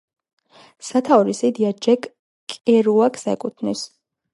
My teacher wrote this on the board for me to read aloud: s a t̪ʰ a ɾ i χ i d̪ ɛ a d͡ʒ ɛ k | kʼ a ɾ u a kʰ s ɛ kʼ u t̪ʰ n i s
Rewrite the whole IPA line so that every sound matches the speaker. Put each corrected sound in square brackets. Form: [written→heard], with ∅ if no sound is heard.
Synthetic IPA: s a t̪ʰ a ɾ i [χ→s] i d̪ [ɛ→i] a d͡ʒ ɛ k | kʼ [a→ɛ] ɾ u a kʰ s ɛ kʼ u t̪ʰ n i s